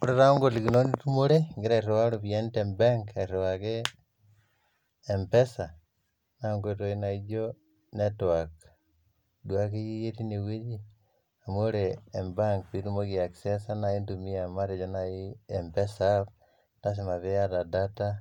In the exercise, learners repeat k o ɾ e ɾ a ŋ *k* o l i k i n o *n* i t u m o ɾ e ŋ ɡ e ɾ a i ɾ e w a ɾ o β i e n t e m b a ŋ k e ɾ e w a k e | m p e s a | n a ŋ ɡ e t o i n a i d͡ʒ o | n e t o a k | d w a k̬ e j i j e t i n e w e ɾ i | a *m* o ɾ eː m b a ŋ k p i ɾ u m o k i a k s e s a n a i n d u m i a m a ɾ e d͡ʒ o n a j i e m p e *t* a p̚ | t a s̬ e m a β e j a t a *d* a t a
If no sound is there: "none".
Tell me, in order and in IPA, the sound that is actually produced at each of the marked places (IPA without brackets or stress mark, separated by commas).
ɡ, n, m, s, d